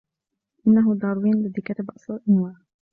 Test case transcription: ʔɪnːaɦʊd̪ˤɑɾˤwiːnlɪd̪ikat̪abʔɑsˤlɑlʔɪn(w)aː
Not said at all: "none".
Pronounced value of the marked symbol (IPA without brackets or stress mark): w